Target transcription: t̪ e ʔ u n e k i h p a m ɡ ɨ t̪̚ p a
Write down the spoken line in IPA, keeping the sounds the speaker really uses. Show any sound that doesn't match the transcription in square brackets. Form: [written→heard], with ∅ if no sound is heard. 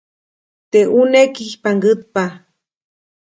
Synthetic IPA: t̪ e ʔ u n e k i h p a [m→ŋ] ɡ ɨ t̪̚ p a